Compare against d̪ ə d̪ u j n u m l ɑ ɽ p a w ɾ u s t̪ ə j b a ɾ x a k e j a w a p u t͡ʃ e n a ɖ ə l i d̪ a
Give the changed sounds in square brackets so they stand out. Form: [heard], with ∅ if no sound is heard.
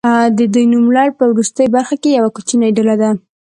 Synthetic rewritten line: d̪ ə d̪ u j n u m l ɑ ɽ p [ə] w ɾ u s t̪ ə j b a ɾ x a k e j a w a [k] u t͡ʃ [i] n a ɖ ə l [a] d̪ a